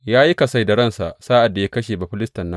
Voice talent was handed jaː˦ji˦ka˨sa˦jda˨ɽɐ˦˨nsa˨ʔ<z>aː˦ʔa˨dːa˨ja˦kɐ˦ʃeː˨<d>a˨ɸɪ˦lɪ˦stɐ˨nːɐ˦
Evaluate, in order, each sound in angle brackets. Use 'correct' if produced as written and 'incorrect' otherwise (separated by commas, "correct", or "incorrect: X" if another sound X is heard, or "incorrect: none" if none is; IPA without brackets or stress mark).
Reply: incorrect: s, incorrect: b